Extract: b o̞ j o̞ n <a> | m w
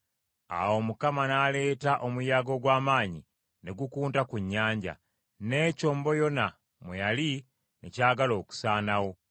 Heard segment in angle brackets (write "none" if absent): a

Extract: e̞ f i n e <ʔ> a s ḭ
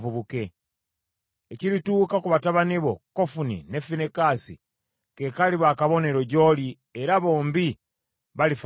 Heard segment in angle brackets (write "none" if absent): k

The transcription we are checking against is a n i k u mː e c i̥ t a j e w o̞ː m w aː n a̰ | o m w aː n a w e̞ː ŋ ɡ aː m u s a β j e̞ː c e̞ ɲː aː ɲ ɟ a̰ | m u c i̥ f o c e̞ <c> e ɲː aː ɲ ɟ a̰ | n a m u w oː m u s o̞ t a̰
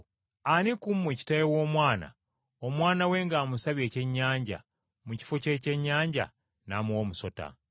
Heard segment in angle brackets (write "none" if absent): c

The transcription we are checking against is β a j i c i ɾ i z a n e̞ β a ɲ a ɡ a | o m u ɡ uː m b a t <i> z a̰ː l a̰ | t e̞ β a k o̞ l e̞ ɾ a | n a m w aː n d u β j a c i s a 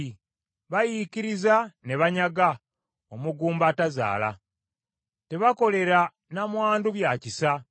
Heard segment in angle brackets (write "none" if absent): a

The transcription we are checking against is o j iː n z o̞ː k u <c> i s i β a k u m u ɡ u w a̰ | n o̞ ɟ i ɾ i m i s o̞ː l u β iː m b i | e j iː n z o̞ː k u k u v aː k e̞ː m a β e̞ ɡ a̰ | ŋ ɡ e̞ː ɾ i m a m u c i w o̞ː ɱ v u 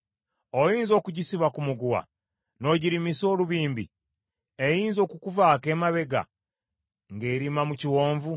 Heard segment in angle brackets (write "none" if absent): ɟ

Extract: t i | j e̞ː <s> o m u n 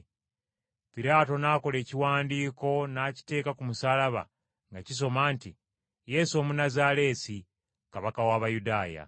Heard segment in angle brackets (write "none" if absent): s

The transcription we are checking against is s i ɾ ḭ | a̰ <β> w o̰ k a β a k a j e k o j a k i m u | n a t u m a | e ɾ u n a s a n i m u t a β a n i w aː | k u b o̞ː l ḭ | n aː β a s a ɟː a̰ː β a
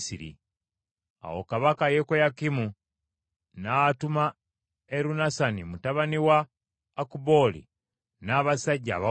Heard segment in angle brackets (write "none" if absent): none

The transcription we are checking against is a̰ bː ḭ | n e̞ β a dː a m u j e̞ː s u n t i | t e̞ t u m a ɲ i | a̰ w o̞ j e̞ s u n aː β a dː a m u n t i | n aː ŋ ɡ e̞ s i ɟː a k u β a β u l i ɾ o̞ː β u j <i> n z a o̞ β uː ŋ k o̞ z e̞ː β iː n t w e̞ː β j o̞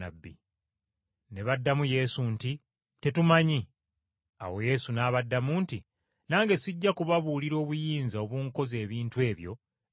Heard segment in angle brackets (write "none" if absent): iː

